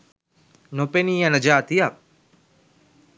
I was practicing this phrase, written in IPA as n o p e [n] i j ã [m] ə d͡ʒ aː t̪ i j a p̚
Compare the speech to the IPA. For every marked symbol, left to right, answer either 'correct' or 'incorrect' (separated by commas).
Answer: correct, incorrect